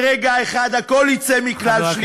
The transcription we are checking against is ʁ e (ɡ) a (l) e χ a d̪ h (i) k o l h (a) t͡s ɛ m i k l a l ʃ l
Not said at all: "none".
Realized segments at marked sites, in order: ɡ, none, a, i

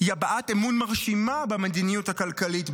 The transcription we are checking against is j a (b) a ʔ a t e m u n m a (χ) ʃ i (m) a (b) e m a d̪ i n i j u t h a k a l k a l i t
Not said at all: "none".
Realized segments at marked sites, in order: b, ʁ, m, b

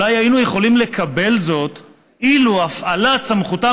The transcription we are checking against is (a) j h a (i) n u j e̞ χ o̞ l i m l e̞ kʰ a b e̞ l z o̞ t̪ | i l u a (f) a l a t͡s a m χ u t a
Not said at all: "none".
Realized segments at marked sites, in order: a, i, f

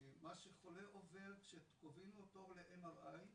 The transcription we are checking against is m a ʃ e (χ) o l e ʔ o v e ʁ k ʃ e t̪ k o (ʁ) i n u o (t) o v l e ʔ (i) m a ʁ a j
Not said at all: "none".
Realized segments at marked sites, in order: χ, v, t, e

